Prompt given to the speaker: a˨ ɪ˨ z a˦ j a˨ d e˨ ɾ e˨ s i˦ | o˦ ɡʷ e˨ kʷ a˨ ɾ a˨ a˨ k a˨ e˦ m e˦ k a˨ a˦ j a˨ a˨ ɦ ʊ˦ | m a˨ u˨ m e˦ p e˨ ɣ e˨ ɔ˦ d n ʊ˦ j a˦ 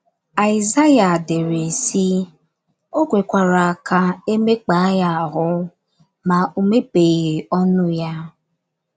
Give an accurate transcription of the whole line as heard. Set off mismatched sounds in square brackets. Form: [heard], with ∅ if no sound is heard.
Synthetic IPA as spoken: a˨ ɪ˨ z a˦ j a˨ d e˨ ɾ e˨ s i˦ | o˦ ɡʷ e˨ kʷ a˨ ɾ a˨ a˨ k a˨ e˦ m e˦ [k͡p] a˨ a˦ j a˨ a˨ ɦ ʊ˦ | m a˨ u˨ m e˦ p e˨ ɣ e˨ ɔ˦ [∅] n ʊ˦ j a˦